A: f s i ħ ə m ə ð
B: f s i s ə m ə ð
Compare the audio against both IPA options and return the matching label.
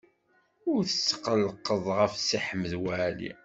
A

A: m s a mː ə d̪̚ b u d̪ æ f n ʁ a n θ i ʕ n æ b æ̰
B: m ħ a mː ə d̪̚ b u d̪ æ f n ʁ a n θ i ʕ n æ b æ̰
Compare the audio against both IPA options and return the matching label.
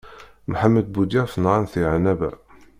B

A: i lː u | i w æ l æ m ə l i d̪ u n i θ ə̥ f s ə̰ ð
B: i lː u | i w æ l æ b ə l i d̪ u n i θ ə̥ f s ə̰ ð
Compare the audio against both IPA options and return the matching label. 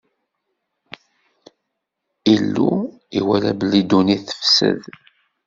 B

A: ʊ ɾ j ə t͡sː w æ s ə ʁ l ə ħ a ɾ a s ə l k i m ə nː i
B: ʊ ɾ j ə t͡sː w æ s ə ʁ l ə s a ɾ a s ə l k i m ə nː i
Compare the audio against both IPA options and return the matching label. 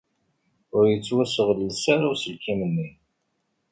B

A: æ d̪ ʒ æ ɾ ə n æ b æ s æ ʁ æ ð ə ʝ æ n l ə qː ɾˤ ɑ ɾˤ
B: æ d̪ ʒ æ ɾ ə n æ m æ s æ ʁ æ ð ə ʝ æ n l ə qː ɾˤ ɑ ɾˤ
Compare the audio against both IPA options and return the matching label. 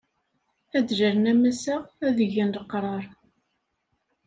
B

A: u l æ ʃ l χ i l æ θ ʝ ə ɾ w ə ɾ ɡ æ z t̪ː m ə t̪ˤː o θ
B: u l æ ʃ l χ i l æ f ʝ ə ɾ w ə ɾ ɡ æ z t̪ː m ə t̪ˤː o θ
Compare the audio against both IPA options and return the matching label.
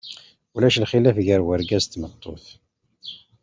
B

